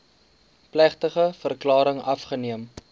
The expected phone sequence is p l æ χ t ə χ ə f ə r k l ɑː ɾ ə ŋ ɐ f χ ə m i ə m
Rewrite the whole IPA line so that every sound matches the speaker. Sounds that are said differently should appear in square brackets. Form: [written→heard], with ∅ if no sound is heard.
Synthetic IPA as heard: p l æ χ t ə χ ə f ə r k l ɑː ɾ ə ŋ ɐ f χ ə [m→n] i ə m

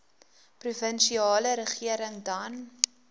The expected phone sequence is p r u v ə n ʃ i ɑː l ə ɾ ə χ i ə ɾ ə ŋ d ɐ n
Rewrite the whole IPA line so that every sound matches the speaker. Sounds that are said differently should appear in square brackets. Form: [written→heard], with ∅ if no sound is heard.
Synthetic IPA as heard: p r u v ə n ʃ i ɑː l ə ɾ ə χ i ə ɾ ə ŋ d ɐ n

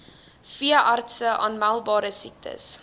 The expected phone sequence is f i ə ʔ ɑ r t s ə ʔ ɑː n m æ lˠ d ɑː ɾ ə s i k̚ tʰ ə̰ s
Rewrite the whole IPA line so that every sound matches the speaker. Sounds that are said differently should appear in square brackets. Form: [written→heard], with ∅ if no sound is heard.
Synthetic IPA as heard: f i ə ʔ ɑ r t s ə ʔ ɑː n m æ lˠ [d→b] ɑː ɾ ə s i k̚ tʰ ə̰ s

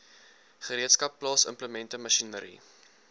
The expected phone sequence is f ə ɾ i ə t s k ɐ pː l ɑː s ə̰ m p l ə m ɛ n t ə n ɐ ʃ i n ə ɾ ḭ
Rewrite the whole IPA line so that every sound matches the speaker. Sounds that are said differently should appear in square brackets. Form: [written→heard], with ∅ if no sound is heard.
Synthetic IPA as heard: [f→χ] ə ɾ i ə t s k ɐ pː l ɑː s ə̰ m p l ə m ɛ n t ə [n→m] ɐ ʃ i n ə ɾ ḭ

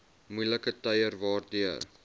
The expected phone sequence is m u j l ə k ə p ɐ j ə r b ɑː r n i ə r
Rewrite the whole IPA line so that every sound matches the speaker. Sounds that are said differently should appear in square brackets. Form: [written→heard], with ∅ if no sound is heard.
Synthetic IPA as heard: m u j l ə k ə [p→t] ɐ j ə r [b→v] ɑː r [n→d] i ə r

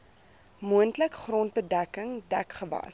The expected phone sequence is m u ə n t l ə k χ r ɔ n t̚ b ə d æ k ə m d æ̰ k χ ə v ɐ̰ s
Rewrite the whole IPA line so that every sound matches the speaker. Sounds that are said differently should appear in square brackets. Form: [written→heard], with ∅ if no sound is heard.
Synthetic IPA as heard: m u ə n t l ə k χ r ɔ n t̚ b ə d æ k ə [m→ŋ] d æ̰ k χ ə v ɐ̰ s

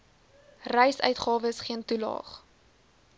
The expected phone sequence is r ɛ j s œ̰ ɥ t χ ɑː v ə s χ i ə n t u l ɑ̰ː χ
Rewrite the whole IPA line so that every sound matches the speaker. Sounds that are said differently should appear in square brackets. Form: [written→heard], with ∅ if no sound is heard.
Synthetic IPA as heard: r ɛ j s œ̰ ɥ t χ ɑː v ə s χ i ə n t u l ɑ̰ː χ

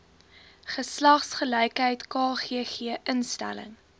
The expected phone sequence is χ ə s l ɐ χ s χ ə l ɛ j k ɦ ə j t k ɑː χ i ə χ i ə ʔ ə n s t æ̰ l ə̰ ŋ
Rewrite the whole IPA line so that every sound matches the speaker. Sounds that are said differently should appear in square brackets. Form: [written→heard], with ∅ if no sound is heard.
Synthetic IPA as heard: χ ə s l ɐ χ s χ ə l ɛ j k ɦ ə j t k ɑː χ i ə χ i ə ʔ ə n s t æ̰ l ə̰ ŋ

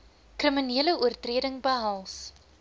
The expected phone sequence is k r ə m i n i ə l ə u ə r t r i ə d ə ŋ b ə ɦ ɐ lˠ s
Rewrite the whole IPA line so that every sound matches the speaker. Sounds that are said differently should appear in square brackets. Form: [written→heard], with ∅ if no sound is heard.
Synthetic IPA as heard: k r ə m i n i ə l ə u ə r t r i ə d ə ŋ b ə ɦ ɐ lˠ s

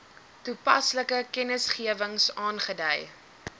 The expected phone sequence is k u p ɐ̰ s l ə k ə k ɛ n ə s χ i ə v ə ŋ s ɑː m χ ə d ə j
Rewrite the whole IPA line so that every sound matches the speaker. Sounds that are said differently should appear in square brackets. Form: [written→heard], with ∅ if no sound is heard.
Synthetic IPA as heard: [k→t] u p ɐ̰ s l ə k ə k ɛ n ə s χ i ə v ə ŋ s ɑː [m→n] χ ə d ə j

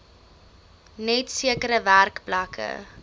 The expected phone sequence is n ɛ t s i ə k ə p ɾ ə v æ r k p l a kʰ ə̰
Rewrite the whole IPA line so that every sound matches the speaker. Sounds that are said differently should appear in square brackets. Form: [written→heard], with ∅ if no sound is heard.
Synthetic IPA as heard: n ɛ t s i ə k ə [p→∅] ɾ ə v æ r k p l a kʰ ə̰

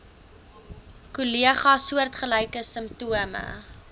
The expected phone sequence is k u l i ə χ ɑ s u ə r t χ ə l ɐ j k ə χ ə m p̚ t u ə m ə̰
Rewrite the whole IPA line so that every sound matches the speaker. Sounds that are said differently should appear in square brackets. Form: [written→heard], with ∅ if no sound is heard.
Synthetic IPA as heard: k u l i ə χ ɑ s u ə r t χ ə l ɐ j k ə [χ→s] ə m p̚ t u ə m ə̰

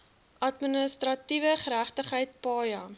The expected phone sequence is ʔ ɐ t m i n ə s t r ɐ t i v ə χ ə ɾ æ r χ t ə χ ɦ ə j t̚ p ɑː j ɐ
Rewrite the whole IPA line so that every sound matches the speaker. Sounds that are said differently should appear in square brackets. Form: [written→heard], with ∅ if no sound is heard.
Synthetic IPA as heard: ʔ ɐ t m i n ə s t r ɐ t i v ə χ ə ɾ æ [r→∅] χ t ə χ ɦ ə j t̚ p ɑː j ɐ

